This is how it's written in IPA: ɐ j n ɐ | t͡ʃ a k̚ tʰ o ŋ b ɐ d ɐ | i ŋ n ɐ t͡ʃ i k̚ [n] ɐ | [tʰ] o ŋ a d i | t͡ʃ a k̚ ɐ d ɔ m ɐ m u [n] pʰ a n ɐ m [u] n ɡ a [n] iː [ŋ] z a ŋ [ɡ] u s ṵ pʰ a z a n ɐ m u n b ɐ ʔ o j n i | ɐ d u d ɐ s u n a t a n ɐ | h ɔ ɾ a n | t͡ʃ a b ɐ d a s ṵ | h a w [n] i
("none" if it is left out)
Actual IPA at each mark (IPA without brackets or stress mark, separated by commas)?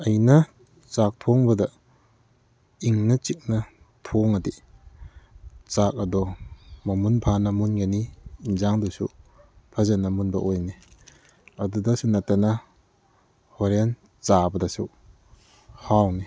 n, tʰ, n, u, n, n, d, n